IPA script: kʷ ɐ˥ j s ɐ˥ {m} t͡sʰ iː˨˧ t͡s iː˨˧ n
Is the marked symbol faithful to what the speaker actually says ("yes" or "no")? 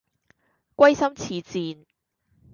yes